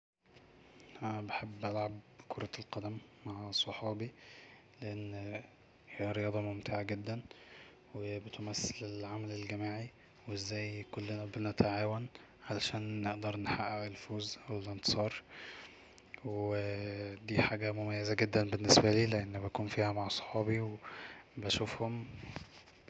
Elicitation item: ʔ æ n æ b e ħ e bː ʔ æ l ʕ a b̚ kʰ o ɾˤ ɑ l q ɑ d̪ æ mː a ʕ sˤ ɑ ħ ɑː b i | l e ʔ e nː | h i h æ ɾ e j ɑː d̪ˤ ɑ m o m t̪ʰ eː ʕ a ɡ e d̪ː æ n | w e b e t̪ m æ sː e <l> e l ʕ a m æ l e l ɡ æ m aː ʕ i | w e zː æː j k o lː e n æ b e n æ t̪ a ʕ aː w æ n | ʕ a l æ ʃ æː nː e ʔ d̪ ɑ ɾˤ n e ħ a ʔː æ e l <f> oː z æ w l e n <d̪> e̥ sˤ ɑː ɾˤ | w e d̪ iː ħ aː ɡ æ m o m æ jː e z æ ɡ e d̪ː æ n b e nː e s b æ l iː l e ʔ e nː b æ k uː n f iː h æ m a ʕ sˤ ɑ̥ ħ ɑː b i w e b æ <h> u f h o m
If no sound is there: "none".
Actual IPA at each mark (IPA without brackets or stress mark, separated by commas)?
l, f, t̪, ʃ